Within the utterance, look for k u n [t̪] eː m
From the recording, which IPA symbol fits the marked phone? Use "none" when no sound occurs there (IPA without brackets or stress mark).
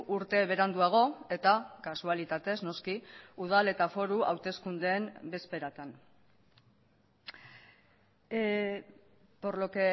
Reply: d̪